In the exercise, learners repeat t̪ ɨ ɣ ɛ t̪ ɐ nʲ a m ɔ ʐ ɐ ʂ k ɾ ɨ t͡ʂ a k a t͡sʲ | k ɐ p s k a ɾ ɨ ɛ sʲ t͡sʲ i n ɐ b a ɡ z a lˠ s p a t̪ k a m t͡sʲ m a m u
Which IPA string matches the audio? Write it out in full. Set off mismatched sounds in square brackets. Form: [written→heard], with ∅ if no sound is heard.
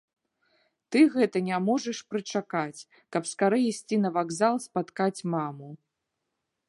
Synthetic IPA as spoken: t̪ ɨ ɣ ɛ t̪ ɐ nʲ a m ɔ ʐ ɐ ʂ [k→p] ɾ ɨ t͡ʂ a k a t͡sʲ | k ɐ p s k a ɾ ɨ [ɛ→i] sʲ t͡sʲ i n ɐ [b→v] a ɡ z a lˠ s p a t̪ k a [m→∅] t͡sʲ m a m u